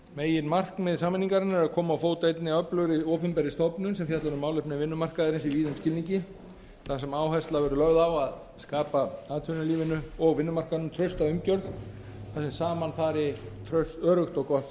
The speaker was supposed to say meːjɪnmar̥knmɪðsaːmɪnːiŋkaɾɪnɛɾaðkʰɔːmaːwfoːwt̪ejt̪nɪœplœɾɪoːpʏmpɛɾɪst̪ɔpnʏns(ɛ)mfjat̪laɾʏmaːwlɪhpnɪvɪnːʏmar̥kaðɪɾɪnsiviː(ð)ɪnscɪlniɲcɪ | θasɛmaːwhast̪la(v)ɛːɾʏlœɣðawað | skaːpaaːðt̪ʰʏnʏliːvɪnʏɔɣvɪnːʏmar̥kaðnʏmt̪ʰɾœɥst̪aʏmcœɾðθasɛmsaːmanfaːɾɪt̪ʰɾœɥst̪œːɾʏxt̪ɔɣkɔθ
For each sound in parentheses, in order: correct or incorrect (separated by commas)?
correct, correct, correct